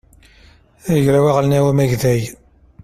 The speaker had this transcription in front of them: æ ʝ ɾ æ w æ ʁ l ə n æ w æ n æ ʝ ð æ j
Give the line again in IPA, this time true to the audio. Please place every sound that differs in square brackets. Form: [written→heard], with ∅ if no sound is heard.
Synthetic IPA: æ ʝ ɾ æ w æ ʁ l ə n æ w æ [n→m] æ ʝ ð æ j